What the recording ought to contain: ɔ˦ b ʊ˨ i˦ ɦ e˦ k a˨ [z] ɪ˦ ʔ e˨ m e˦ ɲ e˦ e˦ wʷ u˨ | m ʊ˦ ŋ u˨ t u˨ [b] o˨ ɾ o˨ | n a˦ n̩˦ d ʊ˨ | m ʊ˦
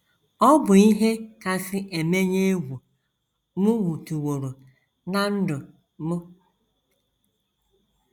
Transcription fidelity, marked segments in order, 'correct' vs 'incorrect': incorrect: s, incorrect: w

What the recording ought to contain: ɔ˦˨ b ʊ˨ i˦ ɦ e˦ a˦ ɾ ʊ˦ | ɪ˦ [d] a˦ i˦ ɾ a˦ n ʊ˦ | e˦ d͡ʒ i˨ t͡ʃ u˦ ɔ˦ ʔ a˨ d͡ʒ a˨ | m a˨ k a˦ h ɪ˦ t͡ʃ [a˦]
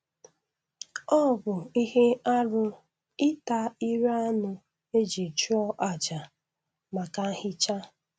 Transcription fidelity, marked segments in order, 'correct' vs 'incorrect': incorrect: t, correct

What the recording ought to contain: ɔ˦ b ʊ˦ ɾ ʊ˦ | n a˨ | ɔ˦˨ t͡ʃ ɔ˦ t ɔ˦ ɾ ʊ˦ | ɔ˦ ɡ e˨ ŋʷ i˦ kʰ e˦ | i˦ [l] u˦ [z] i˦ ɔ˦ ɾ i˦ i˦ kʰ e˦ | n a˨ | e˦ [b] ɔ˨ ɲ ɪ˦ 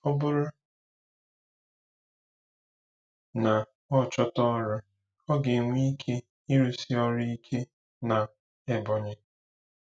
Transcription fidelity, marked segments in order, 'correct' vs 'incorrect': incorrect: ɾ, incorrect: s, correct

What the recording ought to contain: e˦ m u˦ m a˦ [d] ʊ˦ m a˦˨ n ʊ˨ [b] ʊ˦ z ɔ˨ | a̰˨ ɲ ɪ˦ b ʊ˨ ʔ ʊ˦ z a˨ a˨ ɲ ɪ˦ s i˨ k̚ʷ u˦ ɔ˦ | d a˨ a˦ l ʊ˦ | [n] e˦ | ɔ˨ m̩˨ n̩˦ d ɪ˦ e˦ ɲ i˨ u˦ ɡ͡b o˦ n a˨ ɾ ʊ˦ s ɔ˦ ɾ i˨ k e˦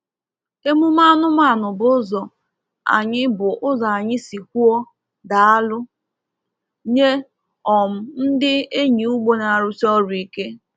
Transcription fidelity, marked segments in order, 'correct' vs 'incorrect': incorrect: n, correct, incorrect: ɲ

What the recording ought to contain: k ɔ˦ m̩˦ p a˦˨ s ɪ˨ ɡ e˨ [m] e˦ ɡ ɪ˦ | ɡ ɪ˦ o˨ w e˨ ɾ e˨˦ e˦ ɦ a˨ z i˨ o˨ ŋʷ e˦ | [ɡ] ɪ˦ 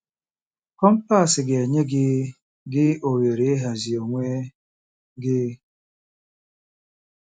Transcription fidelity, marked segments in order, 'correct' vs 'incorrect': incorrect: ɲ, correct

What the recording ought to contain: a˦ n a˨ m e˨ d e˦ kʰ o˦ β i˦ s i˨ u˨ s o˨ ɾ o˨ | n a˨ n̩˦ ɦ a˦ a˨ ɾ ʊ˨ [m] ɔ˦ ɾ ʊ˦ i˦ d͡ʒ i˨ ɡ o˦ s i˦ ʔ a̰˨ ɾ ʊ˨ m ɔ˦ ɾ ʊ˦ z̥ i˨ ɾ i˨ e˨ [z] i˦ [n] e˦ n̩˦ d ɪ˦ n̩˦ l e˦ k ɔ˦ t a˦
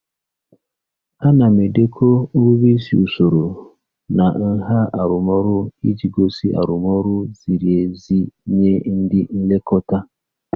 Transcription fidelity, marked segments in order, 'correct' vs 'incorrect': correct, correct, incorrect: ɲ

